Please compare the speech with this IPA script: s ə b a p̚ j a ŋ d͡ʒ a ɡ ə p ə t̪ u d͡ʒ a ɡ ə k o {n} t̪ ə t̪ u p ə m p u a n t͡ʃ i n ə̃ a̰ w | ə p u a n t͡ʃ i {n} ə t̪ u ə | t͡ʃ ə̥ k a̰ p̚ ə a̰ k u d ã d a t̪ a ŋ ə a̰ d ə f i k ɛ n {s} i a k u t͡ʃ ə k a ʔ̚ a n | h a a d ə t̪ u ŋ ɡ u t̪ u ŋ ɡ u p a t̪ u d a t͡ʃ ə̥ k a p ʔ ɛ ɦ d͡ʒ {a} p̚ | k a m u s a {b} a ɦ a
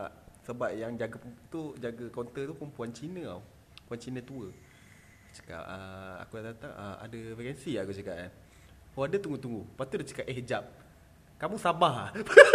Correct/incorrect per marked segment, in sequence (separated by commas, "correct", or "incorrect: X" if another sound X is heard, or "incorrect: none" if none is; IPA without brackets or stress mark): correct, correct, correct, correct, correct